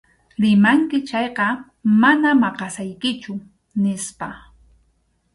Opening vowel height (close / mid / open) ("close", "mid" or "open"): close